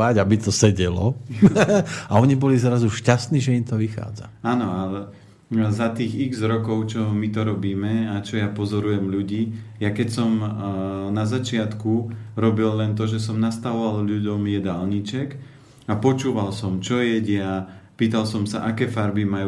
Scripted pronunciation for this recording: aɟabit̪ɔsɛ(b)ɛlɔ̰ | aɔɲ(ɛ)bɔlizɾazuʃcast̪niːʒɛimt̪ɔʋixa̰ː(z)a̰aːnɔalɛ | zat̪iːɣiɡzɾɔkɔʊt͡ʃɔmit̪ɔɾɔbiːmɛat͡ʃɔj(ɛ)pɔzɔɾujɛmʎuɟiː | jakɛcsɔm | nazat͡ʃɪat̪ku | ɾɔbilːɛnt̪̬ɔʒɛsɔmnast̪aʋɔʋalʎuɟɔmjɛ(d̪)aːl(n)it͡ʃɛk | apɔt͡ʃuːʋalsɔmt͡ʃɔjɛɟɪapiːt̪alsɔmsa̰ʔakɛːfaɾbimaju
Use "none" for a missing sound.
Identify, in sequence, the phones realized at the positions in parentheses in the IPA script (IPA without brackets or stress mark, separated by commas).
ɟ, i, d͡z, a, d̪, ɲ